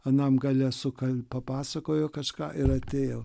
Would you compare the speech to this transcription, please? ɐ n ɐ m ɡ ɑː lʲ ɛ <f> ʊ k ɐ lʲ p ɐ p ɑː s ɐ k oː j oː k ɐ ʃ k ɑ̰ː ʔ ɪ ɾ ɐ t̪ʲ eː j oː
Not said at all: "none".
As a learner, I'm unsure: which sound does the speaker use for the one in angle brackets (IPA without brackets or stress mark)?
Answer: s